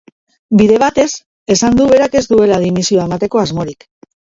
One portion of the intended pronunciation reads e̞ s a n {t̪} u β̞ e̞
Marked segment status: incorrect: d̪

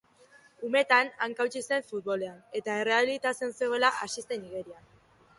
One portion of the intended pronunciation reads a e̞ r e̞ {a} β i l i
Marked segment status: correct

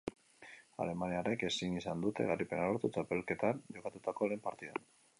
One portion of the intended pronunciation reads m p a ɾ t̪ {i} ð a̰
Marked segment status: correct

